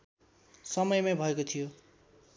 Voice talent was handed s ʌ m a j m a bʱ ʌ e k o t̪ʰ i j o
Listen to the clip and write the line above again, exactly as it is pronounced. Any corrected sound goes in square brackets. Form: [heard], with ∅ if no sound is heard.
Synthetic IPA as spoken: s ʌ m [ʌ] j m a bʱ ʌ e k o t̪ʰ i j o